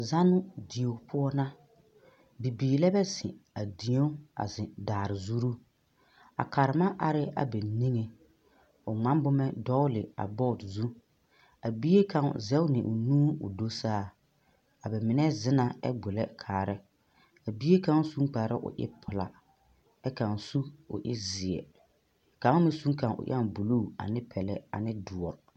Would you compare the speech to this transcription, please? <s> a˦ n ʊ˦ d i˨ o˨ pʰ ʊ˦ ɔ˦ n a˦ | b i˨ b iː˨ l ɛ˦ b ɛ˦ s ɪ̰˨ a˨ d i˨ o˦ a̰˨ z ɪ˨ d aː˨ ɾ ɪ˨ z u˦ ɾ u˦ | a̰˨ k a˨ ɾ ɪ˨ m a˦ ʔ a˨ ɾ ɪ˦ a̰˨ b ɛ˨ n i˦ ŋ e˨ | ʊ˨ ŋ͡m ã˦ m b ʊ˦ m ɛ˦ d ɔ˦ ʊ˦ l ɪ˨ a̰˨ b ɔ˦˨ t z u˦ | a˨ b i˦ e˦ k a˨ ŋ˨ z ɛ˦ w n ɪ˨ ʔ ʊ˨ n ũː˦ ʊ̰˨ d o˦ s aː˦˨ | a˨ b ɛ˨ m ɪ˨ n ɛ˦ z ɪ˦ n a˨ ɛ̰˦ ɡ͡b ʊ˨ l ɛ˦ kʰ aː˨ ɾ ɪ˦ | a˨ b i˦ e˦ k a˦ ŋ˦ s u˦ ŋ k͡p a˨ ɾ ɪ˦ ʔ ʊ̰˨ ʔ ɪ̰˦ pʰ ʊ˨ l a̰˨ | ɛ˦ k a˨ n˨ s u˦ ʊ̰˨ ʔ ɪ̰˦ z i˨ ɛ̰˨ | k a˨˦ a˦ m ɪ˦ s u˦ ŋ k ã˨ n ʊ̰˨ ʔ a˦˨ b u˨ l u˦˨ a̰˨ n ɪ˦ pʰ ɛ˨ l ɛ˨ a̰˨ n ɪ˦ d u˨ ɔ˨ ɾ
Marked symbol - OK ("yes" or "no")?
no